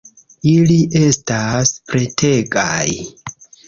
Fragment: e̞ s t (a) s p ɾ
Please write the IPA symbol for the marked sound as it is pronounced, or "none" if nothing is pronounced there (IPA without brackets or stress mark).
a